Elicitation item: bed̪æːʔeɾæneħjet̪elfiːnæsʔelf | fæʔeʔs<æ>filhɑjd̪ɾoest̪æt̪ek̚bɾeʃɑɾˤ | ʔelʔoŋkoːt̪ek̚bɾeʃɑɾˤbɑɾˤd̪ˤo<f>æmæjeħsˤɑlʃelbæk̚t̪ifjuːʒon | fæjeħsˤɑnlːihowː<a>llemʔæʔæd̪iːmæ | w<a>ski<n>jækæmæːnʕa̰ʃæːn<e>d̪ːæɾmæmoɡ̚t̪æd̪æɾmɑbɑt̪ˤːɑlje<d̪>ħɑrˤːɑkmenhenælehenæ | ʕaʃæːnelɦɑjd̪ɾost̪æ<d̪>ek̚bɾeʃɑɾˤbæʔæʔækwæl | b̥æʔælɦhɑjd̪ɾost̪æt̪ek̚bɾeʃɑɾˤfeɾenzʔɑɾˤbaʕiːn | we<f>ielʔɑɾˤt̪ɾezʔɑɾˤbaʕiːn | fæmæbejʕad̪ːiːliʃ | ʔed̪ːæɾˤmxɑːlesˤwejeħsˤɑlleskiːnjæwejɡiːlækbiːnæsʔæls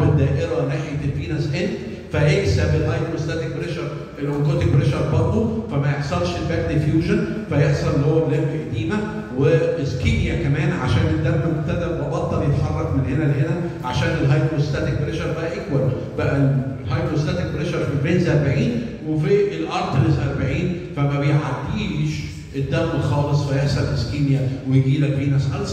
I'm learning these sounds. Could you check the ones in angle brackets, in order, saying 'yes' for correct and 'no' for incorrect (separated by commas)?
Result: yes, yes, no, no, yes, yes, no, no, yes